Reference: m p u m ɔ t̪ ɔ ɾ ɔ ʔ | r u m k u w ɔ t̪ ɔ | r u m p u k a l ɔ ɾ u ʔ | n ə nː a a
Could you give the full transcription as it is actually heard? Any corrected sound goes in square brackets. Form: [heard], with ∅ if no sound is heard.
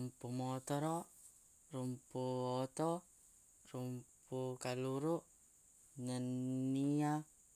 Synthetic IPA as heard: m p u m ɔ t̪ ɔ ɾ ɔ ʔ | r u m [p] u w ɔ t̪ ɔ | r u m p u k a l [u] ɾ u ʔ | n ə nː [i] a

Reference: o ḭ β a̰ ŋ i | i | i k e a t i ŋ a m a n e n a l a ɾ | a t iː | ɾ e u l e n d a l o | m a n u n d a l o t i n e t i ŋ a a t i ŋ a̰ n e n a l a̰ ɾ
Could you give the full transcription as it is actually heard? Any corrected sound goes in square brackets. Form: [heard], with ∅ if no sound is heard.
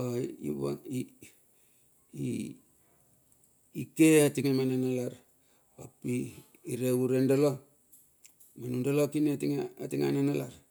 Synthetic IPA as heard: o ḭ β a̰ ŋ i | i | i k e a t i ŋ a m a n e n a l a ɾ | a [p] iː | ɾ e u [ɾ] e n d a l o | m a n u n d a l o [k] i n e t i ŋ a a t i ŋ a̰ n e n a l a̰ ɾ

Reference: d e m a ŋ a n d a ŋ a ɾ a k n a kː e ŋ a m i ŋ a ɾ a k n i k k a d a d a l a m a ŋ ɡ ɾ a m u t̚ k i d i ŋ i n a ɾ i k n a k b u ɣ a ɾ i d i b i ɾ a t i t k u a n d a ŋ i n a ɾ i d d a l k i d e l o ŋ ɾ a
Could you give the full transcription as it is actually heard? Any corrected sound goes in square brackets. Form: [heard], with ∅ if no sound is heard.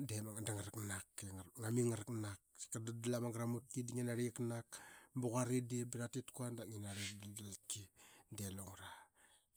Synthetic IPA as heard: d e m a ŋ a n d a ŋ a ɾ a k n a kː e ŋ a m i ŋ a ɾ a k n [a] k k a d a d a l a m a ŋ ɡ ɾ a m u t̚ k i d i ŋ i n a ɾ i k n a k b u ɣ a ɾ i d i b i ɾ a t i t k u a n d a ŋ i n a ɾ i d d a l k i d e l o ŋ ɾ a

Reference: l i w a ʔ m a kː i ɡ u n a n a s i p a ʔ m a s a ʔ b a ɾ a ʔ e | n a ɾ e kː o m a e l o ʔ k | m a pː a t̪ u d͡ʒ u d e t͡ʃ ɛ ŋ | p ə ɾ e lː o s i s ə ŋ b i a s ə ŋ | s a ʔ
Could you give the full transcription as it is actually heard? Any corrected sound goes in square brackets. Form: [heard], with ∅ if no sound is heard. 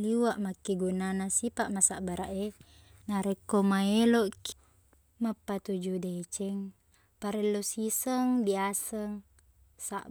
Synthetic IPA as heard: l i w a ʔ m a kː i ɡ u n a n a s i p a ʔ m a s a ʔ b a ɾ a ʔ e | n a ɾ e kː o m a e l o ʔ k | m a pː a t̪ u d͡ʒ u d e t͡ʃ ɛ ŋ | p [a] ɾ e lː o s i s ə ŋ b i a s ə ŋ | s a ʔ

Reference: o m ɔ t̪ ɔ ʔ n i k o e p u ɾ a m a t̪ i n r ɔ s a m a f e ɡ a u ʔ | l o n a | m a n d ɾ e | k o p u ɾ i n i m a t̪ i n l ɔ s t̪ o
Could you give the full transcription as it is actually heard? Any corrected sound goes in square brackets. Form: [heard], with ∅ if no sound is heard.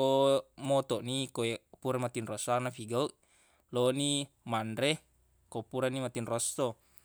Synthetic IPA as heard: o m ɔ t̪ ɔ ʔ n i k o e p u ɾ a m a t̪ i n r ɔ s a [n] a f [i] ɡ a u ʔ | l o n [i] | m a n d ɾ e | k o p u ɾ [a] n i m a t̪ i n [r] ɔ s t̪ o

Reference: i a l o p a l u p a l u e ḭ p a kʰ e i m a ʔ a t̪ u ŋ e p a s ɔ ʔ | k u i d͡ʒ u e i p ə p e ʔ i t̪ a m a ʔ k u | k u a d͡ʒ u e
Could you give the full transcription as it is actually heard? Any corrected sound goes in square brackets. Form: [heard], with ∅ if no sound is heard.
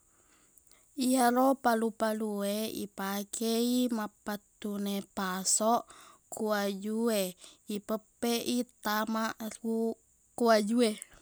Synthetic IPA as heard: i a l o p a l u p a l u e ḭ p a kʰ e i m a [p] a t̪ u [n] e p a s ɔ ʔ | k u [a] d͡ʒ u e i p ə p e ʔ i t̪ a m a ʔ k u | k u a d͡ʒ u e

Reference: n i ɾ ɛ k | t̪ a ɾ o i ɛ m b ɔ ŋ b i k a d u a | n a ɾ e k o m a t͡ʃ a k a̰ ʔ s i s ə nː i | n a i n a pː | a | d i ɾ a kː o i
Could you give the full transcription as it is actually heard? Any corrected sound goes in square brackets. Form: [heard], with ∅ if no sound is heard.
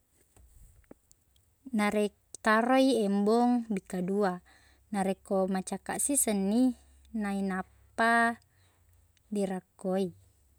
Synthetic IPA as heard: n [a] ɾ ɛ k | t̪ a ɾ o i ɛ m b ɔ ŋ b i k a d u a | n a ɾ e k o m a t͡ʃ a k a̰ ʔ s i s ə nː i | n a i n a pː | a | d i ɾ a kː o i

